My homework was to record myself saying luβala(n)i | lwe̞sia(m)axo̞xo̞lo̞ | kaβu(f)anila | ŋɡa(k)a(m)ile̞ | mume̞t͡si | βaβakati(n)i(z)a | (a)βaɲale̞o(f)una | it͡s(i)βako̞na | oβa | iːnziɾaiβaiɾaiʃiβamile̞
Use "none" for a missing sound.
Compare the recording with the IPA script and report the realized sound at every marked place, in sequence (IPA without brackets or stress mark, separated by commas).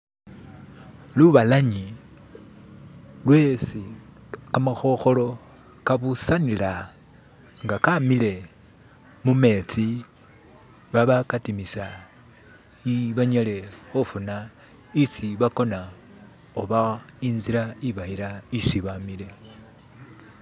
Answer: ɲ, m, s, k, m, m, s, i, f, i